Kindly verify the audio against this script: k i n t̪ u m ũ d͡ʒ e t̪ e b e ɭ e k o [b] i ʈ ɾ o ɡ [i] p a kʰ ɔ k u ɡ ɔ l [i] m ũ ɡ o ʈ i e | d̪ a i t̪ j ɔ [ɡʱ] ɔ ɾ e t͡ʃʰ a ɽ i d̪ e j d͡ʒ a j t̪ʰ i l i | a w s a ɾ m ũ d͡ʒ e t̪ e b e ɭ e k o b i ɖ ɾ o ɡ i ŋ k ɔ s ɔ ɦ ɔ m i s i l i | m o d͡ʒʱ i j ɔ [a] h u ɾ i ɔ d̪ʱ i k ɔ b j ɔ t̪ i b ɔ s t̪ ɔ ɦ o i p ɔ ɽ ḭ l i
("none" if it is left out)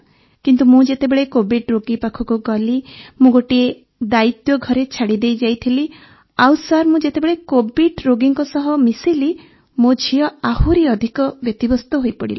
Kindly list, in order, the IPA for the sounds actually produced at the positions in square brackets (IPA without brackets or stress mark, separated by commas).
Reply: b, i, i, ɡʱ, a